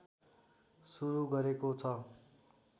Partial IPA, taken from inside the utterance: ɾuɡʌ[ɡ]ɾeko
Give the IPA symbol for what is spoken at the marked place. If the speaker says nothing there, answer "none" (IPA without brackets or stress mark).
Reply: none